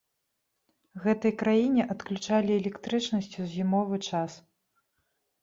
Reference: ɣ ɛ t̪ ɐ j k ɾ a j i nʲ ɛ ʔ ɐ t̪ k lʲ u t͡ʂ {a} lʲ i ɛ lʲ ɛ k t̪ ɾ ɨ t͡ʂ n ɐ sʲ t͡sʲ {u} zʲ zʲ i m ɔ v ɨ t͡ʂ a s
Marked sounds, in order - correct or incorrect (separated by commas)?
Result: correct, correct